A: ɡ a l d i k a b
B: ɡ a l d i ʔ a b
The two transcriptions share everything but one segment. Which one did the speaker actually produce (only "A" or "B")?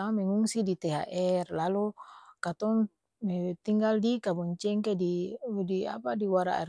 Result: A